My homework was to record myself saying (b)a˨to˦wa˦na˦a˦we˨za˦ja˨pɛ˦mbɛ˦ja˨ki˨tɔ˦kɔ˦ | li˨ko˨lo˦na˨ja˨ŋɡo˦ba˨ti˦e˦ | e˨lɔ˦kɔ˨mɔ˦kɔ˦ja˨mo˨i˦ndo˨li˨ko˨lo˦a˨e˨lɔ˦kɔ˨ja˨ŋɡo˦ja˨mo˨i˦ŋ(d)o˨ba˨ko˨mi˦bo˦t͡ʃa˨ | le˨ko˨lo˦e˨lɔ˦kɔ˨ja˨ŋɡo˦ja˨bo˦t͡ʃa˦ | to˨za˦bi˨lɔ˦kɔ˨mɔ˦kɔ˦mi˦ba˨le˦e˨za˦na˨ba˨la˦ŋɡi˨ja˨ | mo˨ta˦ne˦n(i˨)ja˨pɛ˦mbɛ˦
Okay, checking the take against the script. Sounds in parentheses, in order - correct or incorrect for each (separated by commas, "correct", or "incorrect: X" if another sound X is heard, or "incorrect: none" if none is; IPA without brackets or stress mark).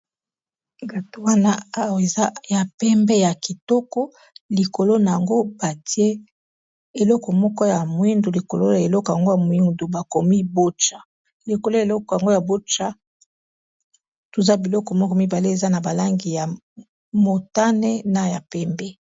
incorrect: ɡ, correct, incorrect: a˨